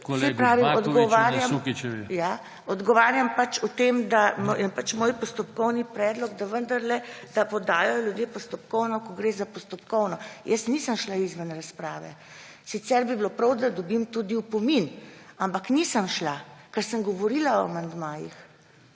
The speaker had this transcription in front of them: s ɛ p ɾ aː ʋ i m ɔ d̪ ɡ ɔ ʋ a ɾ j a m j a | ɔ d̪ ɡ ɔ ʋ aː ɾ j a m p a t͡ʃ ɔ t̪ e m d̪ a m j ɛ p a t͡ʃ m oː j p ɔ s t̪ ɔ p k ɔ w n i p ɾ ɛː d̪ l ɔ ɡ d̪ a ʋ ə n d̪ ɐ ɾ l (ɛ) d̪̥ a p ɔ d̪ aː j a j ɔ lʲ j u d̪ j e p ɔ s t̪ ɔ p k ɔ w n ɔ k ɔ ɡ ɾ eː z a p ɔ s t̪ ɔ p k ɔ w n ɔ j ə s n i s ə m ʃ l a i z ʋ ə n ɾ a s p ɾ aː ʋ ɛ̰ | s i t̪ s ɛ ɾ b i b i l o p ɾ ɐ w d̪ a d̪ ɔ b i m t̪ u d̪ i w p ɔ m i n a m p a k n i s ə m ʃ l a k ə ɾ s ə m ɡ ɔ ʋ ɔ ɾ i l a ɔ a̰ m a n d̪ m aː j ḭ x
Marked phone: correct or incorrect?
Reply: correct